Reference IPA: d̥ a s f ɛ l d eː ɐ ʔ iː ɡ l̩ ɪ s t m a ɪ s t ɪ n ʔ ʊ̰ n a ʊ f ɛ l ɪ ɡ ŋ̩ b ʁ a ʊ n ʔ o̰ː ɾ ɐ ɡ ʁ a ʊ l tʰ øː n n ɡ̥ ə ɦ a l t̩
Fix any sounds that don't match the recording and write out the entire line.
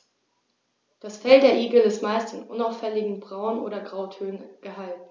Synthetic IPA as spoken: d̥ a s f ɛ l d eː ɐ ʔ iː ɡ l̩ ɪ s t m a ɪ s t ɪ n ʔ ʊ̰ n a ʊ f ɛ l ɪ ɡ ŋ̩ b ʁ a ʊ n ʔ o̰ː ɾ ɐ ɡ ʁ a ʊ tʰ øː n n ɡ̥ ə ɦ a l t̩